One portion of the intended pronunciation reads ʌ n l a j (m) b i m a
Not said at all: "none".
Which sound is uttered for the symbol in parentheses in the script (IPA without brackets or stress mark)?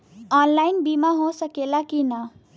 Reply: n